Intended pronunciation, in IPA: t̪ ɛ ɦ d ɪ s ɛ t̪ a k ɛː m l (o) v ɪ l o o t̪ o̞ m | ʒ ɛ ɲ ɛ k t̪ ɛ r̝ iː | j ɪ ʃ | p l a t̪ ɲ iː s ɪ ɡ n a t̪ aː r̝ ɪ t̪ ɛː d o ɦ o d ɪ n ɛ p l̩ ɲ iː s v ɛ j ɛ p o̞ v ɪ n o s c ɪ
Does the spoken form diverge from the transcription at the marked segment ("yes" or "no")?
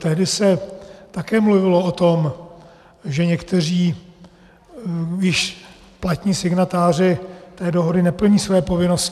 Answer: yes